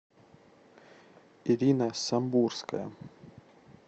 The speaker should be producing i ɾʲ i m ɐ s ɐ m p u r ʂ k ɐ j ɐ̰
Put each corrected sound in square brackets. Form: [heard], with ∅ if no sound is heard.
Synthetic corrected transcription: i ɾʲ i [n] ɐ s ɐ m [b] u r [s] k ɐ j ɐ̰